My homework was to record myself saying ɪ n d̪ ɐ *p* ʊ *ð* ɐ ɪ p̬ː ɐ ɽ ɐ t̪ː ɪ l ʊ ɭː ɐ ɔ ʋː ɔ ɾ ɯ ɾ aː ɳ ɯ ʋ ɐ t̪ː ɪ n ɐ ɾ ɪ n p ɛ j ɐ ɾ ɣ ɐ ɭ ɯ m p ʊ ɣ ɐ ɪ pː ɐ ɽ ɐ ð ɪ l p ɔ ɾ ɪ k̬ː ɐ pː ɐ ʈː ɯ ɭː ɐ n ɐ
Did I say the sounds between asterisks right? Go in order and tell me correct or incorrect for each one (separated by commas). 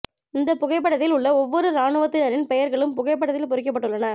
correct, incorrect